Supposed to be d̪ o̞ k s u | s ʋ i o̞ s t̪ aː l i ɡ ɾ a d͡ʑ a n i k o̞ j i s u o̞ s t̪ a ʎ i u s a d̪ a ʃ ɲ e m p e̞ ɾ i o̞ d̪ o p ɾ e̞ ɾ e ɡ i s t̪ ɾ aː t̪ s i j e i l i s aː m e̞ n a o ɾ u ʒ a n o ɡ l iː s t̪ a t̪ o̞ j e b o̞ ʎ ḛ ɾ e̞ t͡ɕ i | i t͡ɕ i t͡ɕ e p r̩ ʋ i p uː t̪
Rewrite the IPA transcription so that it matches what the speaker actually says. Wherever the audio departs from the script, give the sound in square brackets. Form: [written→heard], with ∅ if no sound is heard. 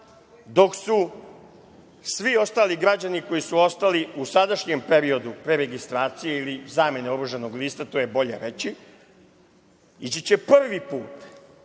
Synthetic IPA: d̪ o̞ k s u | s ʋ i o̞ s t̪ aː l i ɡ ɾ a d͡ʑ a n i k o̞ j i s u o̞ s t̪ a [ʎ→l] i u s a d̪ a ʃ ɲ e m p e̞ ɾ i o̞ d̪ [o→u] p ɾ e̞ ɾ e ɡ i s t̪ ɾ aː t̪ s i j e i l i [s→z] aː m e̞ n [a→e] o ɾ u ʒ a n o ɡ l iː s t̪ a t̪ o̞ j e b o̞ ʎ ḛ ɾ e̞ t͡ɕ i | i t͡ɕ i t͡ɕ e p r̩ ʋ i p uː t̪